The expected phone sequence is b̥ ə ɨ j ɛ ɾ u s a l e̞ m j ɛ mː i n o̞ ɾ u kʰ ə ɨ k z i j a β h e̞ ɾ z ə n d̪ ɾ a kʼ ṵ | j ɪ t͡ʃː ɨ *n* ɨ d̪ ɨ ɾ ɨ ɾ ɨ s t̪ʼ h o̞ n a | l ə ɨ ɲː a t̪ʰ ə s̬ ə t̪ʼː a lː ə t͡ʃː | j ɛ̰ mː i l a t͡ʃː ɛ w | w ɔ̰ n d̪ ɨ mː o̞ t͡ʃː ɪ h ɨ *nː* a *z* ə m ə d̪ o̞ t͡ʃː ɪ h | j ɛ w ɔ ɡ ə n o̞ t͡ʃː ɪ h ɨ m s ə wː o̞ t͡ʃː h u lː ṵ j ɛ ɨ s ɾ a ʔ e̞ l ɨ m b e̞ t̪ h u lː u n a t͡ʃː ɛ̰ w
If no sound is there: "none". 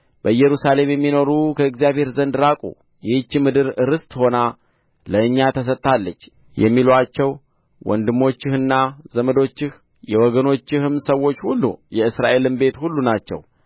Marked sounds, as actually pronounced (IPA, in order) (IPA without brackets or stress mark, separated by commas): m, nː, z